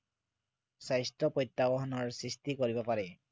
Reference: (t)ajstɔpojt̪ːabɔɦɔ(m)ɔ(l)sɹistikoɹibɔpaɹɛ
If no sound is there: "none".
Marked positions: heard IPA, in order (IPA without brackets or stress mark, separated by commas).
s, n, ɹ